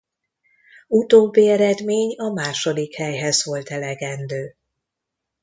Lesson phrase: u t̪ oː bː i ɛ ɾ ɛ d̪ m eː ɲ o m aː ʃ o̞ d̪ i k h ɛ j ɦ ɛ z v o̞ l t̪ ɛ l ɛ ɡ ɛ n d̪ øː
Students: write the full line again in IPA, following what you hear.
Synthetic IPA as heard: u t̪ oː bː i ɛ ɾ ɛ d̪ m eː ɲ ɒ m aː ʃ o̞ d̪ i k h ɛ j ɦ ɛ z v o̞ l t̪ ɛ l ɛ ɡ ɛ n d̪ øː